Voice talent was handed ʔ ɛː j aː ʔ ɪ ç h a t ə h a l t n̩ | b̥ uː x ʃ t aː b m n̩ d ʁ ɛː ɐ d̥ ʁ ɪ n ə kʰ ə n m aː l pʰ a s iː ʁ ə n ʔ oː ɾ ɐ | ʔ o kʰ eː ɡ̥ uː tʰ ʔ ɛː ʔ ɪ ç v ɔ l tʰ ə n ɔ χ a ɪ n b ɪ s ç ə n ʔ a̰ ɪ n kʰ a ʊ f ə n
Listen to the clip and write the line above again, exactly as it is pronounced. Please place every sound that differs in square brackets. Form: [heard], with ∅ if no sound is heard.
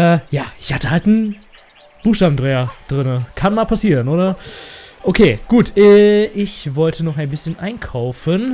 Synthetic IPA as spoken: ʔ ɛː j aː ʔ ɪ ç h a t ə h a l t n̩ | b̥ uː x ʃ t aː b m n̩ d ʁ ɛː ɐ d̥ ʁ ɪ n ə kʰ [a] n m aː l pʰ a s iː ʁ ə n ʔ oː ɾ ɐ | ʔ o kʰ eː ɡ̥ uː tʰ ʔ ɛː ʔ ɪ ç v ɔ l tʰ ə n ɔ χ a ɪ n b ɪ s ç ə n ʔ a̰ ɪ n kʰ a ʊ f ə n